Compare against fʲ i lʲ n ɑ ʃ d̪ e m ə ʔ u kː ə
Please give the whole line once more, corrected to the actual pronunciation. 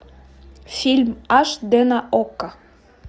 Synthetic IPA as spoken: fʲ i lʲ m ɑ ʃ d̪ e n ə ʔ o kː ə